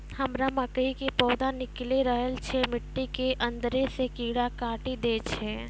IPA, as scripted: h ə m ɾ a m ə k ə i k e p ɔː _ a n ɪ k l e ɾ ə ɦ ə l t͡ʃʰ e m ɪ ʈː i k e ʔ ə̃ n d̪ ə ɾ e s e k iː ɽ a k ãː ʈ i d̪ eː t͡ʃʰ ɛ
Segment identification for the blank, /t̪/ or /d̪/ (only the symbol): d̪